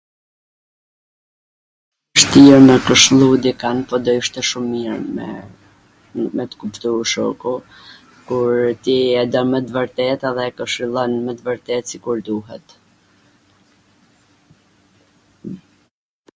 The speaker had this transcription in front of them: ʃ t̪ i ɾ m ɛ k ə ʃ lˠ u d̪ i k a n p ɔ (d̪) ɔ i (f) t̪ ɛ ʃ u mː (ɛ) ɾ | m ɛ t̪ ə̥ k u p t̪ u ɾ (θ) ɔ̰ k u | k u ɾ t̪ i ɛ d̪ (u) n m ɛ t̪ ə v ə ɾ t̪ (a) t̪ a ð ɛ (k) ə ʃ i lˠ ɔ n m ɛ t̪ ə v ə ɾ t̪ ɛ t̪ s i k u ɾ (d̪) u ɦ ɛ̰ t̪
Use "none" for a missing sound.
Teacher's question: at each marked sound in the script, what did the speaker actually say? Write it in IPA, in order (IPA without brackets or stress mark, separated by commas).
d̪, ʃ, i, ʃ, ɔ, ɛ, k, d̪